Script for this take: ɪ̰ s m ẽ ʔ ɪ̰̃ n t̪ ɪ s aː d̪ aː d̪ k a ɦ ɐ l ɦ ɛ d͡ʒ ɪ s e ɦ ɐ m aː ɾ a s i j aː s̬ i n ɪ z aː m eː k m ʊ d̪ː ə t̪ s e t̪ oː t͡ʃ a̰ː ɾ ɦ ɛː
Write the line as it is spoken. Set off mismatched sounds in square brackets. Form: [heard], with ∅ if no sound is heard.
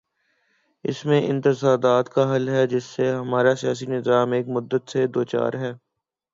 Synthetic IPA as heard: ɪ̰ s m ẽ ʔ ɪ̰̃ n t̪ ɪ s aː d̪ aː [t̪] k a ɦ ɐ l ɦ ɛ d͡ʒ ɪ [sː] e ɦ ɐ m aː ɾ a s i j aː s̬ i n ɪ z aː m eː k m ʊ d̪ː ə t̪ s e [d̪] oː t͡ʃ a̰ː ɾ ɦ ɛː